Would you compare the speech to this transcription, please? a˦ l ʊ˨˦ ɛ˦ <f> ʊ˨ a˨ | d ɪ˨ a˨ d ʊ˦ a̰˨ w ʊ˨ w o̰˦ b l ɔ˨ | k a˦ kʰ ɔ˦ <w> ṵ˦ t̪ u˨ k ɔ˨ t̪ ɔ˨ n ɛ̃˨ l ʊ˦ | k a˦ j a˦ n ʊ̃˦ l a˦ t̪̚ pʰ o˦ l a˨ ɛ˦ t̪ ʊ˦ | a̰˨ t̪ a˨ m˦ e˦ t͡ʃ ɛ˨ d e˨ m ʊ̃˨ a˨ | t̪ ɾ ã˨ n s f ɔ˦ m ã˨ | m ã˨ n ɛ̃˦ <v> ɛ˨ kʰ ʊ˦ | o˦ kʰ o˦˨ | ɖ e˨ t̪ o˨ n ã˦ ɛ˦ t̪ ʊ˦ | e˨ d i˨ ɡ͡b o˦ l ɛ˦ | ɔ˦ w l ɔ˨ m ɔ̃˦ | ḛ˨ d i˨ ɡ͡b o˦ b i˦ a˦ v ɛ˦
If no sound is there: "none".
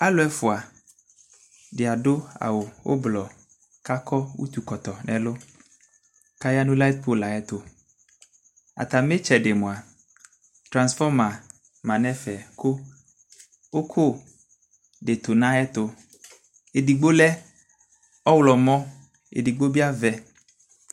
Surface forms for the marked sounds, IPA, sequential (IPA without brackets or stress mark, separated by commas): f, w, f